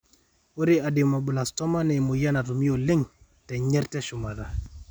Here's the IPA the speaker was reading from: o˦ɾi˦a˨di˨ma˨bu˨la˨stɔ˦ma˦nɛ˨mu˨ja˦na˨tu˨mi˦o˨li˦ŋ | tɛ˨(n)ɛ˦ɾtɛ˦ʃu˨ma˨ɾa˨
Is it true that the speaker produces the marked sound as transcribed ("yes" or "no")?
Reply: no